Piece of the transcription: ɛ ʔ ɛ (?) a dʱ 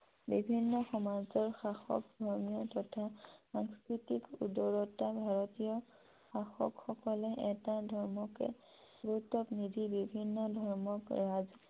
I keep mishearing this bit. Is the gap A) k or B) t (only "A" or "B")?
B